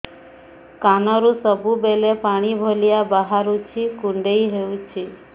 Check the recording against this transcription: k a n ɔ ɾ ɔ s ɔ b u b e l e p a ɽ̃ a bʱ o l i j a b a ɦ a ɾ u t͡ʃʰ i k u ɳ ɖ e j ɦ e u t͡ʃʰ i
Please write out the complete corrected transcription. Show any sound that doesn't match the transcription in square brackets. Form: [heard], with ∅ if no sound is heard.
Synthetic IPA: k a n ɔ ɾ [u] s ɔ b u b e l e p a ɽ̃ [i] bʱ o l i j a b a ɦ a ɾ u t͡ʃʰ i k u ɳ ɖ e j ɦ e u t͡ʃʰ i